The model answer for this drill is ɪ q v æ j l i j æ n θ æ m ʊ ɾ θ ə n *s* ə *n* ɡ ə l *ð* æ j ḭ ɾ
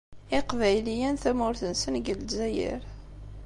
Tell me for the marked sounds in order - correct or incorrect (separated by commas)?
correct, correct, incorrect